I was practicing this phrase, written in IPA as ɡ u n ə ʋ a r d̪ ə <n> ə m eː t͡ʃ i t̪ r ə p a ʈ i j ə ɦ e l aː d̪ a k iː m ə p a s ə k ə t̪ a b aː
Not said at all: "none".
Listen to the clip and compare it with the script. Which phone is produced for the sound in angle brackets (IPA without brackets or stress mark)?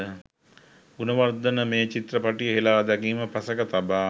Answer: n